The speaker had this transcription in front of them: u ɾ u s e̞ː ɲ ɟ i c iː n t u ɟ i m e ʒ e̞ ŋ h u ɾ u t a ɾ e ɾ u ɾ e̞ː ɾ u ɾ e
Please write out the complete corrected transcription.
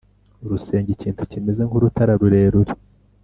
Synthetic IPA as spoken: u ɾ u s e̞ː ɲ ɟ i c iː n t u c i m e z e̞ ŋ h u ɾ u t a ɾ a ɾ u ɾ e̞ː ɾ u ɾ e